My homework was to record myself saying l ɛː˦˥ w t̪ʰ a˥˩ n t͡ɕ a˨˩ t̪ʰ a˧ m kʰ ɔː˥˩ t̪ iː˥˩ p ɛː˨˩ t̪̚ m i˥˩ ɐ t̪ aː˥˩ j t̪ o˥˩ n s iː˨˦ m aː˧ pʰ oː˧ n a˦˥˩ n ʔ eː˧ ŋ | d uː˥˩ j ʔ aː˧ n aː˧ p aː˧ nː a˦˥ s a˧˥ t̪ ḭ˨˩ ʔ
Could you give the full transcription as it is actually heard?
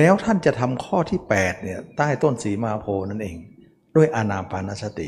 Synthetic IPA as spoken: l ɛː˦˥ w t̪ʰ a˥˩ n t͡ɕ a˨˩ t̪ʰ a˧ m kʰ ɔː˥˩ t̪ʰ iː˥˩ p ɛː˨˩ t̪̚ n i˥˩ ɐ t̪ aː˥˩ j t̪ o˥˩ n s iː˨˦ m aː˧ pʰ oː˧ n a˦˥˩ n ʔ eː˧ ŋ | d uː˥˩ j ʔ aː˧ n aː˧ p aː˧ n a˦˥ s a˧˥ t̪ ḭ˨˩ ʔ